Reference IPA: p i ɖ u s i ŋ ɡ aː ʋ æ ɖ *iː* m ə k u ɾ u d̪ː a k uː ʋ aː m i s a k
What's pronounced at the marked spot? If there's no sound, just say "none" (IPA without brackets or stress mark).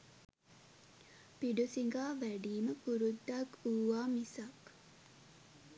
iː